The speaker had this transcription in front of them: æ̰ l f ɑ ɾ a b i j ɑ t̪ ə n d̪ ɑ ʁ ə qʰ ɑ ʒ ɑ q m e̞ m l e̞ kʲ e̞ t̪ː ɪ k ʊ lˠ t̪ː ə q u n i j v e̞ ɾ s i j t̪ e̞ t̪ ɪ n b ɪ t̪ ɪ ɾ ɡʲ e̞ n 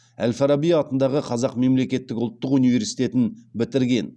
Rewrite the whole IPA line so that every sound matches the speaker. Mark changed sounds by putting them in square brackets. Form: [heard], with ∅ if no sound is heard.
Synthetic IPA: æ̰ l f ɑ ɾ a b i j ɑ t̪ ə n d̪ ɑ ʁ ə qʰ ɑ [z] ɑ q m e̞ m l e̞ kʲ e̞ t̪ː ɪ k ʊ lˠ t̪ː ə q u n i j v e̞ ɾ s i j t̪ e̞ t̪ ɪ n b ɪ t̪ ɪ ɾ ɡʲ e̞ n